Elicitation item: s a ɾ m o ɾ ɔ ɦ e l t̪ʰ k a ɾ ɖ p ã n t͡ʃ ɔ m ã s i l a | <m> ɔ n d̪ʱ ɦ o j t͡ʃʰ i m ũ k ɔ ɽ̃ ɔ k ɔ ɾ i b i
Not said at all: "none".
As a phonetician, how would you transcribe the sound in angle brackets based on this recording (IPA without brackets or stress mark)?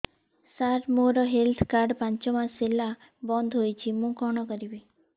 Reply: b